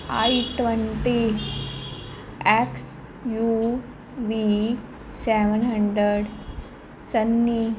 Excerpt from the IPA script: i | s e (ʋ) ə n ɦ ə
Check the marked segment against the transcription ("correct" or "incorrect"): correct